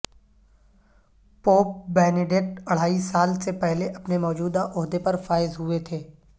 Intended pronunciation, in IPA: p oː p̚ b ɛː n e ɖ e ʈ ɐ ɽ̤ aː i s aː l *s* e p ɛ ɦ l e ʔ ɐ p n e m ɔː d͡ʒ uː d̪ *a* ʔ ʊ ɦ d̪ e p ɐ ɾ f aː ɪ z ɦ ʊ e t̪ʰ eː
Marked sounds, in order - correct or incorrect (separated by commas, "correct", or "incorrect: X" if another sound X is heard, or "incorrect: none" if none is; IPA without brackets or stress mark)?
correct, correct